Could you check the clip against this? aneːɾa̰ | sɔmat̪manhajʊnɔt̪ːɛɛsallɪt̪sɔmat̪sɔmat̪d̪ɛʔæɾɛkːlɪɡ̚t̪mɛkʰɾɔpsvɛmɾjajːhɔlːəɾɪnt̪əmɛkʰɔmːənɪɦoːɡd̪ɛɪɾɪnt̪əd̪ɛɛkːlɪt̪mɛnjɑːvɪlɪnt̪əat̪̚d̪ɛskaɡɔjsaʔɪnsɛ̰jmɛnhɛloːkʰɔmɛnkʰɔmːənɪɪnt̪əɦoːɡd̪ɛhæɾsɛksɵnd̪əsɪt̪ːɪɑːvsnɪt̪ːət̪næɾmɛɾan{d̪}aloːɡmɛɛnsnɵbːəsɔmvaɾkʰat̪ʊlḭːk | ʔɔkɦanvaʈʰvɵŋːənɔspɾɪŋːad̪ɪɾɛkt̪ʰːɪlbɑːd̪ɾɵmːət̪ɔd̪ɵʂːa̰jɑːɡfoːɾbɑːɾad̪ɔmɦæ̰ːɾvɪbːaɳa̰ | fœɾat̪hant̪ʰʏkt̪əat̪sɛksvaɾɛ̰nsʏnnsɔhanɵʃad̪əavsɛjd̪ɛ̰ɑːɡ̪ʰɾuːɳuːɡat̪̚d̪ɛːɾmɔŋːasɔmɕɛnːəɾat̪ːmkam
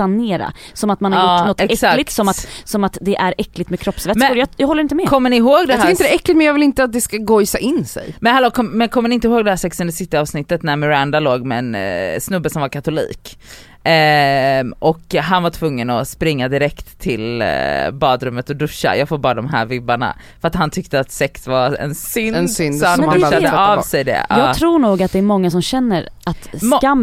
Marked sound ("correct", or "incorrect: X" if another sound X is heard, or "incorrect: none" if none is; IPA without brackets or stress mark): correct